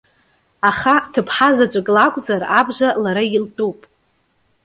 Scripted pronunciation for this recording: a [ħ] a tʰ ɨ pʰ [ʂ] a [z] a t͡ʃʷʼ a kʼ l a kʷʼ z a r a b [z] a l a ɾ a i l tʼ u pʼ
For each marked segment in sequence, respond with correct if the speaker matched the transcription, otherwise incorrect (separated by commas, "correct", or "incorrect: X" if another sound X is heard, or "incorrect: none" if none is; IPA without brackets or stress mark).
incorrect: χ, incorrect: ħ, correct, incorrect: ʒ